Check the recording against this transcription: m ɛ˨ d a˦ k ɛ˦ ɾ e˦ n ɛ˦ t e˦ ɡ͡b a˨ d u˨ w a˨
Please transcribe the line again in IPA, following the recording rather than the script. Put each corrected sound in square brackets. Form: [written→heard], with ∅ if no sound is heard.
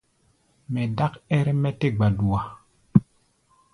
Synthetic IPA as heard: m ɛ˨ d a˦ k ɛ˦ ɾ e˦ [n→m] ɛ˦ t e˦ ɡ͡b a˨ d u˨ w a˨